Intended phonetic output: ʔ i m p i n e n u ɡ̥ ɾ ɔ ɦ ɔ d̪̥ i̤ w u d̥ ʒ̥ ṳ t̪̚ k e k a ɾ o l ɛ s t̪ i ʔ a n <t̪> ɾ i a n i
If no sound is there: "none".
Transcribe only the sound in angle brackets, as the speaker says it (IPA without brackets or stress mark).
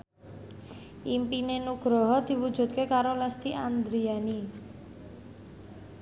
d̪